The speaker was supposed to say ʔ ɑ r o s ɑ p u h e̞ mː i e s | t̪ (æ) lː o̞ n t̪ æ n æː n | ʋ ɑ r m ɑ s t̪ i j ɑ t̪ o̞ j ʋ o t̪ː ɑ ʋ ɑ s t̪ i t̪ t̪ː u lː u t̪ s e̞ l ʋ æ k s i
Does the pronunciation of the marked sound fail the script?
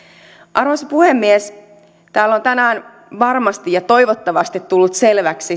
yes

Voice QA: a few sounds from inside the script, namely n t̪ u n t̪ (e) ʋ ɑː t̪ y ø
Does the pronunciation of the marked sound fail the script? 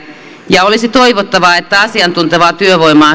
no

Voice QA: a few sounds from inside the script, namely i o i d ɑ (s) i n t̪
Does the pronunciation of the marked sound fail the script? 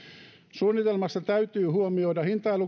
yes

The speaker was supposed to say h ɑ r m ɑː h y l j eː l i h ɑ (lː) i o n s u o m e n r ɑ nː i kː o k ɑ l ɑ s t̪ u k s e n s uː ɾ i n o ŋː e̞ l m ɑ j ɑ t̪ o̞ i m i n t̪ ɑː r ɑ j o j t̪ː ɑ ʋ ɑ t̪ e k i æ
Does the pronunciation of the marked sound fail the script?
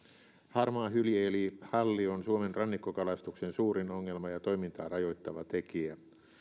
no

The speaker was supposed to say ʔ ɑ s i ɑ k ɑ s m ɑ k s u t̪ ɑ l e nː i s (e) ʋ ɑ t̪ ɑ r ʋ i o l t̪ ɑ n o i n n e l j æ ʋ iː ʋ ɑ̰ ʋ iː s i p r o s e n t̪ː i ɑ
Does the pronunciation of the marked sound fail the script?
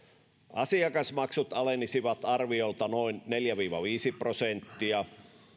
yes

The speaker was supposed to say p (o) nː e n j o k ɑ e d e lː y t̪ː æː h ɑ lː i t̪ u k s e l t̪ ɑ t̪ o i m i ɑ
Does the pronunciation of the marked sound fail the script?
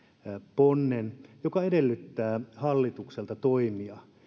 no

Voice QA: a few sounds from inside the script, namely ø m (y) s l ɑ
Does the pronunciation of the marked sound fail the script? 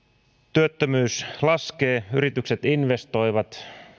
yes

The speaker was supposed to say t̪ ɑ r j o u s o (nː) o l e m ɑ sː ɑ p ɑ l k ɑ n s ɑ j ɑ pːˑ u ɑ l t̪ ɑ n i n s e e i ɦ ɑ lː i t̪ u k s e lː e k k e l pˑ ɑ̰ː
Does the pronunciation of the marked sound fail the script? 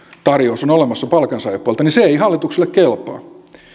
yes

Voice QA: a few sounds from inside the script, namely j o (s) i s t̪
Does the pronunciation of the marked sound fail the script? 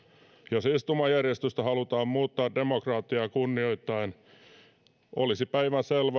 no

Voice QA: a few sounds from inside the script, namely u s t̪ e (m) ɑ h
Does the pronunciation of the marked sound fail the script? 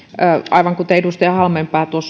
yes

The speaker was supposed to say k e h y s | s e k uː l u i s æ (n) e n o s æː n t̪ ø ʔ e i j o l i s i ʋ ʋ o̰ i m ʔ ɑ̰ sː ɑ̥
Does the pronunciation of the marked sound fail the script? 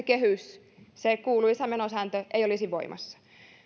yes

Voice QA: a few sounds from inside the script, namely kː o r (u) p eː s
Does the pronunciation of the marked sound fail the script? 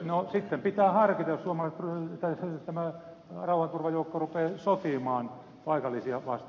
no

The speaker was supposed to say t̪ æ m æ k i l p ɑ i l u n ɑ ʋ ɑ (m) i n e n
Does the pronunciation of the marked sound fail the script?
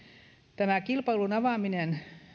no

